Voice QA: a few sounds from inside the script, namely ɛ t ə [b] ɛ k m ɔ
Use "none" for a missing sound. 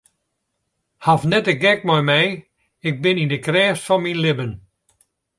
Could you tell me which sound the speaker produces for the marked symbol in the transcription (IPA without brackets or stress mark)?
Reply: ɡ